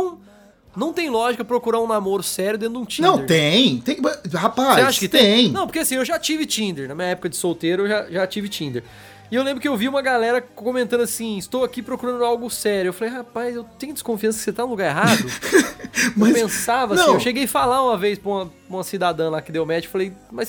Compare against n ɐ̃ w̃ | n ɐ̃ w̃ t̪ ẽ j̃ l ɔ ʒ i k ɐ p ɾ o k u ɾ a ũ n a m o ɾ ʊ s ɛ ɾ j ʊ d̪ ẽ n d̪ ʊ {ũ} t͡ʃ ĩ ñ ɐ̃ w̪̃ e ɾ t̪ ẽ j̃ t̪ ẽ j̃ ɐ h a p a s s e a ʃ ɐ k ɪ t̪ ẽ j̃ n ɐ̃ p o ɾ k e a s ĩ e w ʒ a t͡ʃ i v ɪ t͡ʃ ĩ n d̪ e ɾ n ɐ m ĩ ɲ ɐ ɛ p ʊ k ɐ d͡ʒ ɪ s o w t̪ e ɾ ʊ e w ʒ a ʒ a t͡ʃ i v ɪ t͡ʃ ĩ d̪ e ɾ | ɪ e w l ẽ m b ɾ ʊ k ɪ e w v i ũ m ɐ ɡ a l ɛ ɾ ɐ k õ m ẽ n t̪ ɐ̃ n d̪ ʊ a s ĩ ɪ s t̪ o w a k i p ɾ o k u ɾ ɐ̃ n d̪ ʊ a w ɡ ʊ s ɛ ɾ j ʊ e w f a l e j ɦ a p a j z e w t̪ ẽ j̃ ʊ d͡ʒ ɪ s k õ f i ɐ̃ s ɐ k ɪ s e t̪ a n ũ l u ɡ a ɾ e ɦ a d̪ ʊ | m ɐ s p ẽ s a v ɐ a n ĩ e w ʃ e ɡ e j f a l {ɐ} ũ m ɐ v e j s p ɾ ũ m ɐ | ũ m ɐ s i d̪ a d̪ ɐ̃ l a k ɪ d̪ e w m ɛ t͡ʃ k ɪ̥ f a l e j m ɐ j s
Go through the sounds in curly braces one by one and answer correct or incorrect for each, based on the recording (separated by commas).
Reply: correct, incorrect